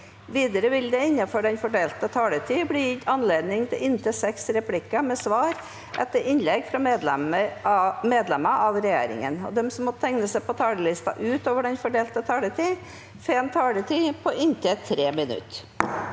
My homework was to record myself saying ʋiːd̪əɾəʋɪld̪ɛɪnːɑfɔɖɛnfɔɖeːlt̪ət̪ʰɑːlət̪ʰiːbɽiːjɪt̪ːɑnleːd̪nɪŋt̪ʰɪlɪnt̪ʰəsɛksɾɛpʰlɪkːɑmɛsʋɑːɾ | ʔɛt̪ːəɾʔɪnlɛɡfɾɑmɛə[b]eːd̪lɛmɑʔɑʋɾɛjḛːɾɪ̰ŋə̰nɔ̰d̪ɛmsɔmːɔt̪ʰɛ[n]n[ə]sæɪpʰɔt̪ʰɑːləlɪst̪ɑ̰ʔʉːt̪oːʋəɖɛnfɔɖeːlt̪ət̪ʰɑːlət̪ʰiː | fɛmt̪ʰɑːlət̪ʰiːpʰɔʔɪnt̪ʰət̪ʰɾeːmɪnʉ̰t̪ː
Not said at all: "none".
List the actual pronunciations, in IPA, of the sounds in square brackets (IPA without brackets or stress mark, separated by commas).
m, ŋ, ə